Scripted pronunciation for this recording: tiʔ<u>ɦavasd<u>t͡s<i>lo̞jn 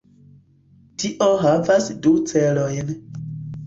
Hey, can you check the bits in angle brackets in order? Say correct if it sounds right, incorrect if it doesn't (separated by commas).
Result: incorrect, correct, incorrect